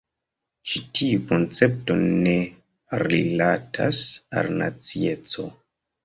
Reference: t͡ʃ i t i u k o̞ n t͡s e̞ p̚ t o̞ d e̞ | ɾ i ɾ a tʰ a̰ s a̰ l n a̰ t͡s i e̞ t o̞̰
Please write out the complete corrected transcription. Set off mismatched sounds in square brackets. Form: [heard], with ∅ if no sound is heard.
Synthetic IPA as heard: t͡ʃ i t i u k o̞ n t͡s e̞ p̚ t o̞ [n] e̞ | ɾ i [l] a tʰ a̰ s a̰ l n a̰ t͡s i e̞ [t͡s] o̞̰